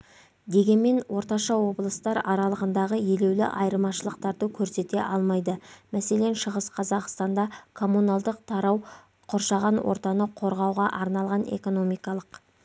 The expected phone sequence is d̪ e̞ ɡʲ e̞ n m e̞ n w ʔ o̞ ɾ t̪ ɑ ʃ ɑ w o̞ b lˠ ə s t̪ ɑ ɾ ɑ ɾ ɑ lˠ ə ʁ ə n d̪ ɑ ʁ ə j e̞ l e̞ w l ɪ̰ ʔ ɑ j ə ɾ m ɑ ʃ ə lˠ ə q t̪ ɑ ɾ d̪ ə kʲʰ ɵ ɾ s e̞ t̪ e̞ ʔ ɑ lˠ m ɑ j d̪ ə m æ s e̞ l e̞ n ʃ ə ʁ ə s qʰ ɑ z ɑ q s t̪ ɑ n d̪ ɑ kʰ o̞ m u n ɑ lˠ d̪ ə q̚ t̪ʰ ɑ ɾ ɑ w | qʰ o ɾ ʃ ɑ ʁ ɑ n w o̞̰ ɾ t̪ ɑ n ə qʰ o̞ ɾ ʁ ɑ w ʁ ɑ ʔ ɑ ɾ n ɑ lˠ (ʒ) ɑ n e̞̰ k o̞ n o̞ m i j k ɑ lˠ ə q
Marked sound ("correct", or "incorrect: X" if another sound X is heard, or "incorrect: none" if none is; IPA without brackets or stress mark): incorrect: ʁ